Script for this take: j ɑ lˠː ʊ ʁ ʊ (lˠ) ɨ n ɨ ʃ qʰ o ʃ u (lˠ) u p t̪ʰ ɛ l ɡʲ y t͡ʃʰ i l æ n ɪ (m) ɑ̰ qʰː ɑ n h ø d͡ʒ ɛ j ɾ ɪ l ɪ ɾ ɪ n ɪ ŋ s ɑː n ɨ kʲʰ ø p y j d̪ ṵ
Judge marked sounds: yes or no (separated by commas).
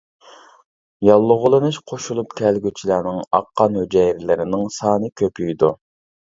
yes, yes, no